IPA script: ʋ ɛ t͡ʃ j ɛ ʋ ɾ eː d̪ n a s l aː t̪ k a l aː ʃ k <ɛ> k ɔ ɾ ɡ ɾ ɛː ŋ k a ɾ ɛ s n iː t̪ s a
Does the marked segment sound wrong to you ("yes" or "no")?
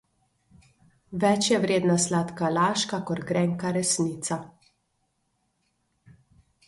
yes